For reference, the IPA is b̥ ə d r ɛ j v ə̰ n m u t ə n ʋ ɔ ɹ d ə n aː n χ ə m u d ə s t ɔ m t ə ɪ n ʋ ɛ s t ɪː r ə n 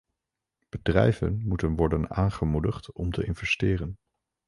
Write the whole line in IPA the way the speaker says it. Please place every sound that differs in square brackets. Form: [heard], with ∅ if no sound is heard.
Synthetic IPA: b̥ ə d r ɛ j v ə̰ n m u t ə n ʋ ɔ ɹ d ə n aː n χ ə m u d ə [χ] t ɔ m t ə ɪ n [v] ɛ s t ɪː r ə n

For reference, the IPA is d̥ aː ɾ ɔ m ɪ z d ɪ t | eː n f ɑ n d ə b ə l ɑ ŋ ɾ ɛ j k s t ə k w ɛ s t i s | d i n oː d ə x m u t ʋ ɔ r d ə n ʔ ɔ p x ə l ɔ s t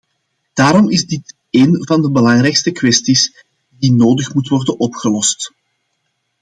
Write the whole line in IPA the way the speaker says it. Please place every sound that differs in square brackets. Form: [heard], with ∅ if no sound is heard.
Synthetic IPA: d̥ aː ɾ ɔ m ɪ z d ɪ t | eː n [v] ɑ n d ə b ə l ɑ ŋ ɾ ɛ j k s t ə k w ɛ s t i s | d i n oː d ə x m u t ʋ ɔ r d ə n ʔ ɔ p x ə l ɔ s t

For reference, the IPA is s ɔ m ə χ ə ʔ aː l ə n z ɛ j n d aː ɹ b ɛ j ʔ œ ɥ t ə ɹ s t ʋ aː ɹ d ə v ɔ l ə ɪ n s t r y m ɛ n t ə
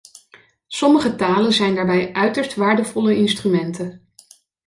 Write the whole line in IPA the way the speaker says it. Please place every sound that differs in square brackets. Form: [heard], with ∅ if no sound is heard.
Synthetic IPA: s ɔ m ə χ ə [t] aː l ə n z ɛ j n d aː ɹ b ɛ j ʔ œ ɥ t ə ɹ s t ʋ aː ɹ d ə v ɔ l ə ɪ n s t r y m ɛ n t ə

